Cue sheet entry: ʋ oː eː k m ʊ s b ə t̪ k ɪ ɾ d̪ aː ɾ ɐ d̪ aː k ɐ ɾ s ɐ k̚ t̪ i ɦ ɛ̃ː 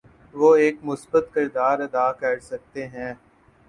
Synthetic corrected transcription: ʋ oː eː k m ʊ s b ə t̪ k ɪ ɾ d̪ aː ɾ ɐ d̪ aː k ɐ ɾ s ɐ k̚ t̪ e ɦ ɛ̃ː